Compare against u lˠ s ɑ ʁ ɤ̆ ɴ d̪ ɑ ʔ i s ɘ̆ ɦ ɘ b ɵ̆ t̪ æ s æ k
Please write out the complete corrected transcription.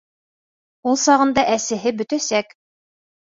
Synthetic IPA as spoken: u lˠ s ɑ ʁ ɤ̆ n d̪ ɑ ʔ æ s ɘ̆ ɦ ɘ b ɵ̆ t̪ æ s æ k